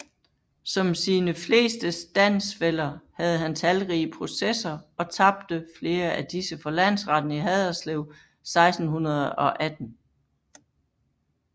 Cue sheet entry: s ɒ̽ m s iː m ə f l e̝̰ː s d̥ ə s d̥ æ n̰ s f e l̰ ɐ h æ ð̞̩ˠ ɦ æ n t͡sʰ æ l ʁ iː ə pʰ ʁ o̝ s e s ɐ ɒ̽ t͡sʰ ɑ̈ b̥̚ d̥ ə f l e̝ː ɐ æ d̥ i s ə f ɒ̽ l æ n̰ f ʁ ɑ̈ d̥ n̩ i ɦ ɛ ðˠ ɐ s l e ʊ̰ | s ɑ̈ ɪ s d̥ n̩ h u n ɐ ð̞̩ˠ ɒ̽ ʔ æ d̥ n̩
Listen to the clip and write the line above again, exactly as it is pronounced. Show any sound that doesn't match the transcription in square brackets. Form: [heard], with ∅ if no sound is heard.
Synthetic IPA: s ɒ̽ m s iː [n] ə f l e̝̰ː s d̥ ə s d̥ æ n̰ s f e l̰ ɐ h æ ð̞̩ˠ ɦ æ n t͡sʰ æ l ʁ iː ə pʰ ʁ o̝ s e s ɐ ɒ̽ t͡sʰ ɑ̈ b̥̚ d̥ ə f l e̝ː ɐ æ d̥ i s ə f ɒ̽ l æ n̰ [s] ʁ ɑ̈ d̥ n̩ i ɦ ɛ ðˠ ɐ s l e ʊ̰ | s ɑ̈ ɪ s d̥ n̩ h u n ɐ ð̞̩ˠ ɒ̽ ʔ æ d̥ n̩